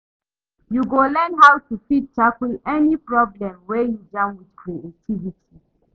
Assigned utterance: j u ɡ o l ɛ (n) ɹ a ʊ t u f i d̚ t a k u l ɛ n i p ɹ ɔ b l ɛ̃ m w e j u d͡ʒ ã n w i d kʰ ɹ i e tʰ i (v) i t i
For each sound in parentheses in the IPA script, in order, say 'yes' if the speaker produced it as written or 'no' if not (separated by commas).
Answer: yes, yes